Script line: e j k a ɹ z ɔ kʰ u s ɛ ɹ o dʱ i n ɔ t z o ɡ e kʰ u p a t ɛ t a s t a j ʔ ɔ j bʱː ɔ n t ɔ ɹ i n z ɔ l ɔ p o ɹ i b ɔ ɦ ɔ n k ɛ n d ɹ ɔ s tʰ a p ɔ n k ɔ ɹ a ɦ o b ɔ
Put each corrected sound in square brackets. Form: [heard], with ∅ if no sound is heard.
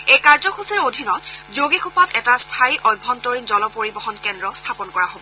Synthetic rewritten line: e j k a ɹ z ɔ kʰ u s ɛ ɹ o dʱ i n ɔ t z o ɡ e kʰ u p a t ɛ t a s [tʰ] a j ʔ ɔ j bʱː ɔ n t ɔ ɹ i n z ɔ l ɔ p o ɹ i b ɔ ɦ ɔ n k ɛ n d ɹ ɔ s tʰ a p ɔ n k ɔ ɹ a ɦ o b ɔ

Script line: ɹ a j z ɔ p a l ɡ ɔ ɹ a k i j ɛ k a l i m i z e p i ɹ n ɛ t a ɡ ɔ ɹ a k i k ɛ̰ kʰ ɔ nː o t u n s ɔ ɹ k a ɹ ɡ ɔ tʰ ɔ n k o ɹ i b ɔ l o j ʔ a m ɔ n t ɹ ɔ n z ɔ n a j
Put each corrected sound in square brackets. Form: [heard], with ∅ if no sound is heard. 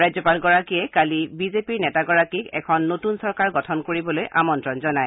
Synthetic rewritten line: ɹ a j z ɔ p a l ɡ ɔ ɹ a k i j ɛ k a l i [b] i z e p i ɹ n ɛ t a ɡ ɔ ɹ a k i k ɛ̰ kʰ ɔ nː o t u n s ɔ ɹ k a ɹ ɡ ɔ tʰ ɔ n k o ɹ i b ɔ l o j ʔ a m ɔ n t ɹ ɔ n z ɔ n a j

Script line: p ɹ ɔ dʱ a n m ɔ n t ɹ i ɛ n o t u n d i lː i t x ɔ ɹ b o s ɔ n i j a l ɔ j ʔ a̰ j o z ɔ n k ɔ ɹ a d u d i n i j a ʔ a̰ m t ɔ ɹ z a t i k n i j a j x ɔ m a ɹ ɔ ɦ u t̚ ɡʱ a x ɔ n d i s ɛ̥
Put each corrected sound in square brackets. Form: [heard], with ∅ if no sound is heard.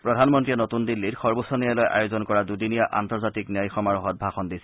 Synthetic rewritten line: p ɹ ɔ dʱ a n m ɔ n t ɹ i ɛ n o t u n d i lː i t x ɔ ɹ b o s ɔ n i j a l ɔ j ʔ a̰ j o z ɔ n k ɔ ɹ a d u d i n i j a ʔ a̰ [n] t ɔ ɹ z a t i k n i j a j x ɔ m a ɹ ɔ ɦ [ɔ] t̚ [bʱ] a x ɔ n d i s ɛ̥

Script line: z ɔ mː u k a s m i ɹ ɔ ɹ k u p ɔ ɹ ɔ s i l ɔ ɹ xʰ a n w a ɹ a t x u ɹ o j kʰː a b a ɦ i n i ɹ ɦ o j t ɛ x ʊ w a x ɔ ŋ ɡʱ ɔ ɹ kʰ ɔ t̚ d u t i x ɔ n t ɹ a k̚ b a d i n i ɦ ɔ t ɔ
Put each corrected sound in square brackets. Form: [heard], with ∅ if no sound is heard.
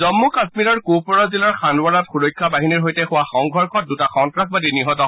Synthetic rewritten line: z ɔ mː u k a s m i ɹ ɔ ɹ k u p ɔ ɹ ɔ [z] i l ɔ ɹ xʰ a n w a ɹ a t x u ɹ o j kʰː a b a ɦ i n i ɹ ɦ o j t ɛ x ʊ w a x ɔ ŋ ɡʱ ɔ ɹ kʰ ɔ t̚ d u t [a] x ɔ n t ɹ a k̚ b a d i n i ɦ ɔ t ɔ

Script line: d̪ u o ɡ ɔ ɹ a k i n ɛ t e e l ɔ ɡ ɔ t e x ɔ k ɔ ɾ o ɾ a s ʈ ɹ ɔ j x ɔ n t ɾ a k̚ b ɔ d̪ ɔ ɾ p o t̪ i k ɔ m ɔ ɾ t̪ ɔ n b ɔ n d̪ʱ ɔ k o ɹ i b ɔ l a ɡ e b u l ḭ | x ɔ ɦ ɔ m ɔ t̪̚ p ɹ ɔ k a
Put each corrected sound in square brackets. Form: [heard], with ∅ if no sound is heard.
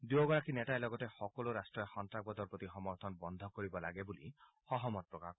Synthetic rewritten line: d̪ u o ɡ ɔ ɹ a k i n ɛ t [a] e l ɔ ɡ ɔ t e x ɔ k ɔ [l] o ɾ a s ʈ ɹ ɔ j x ɔ n t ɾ a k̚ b ɔ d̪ ɔ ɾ p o t̪ i [x] ɔ m ɔ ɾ [t̪ʰ] ɔ n b ɔ n d̪ʱ ɔ k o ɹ i b ɔ l a ɡ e b u l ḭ | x ɔ ɦ ɔ m ɔ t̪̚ p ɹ ɔ k a

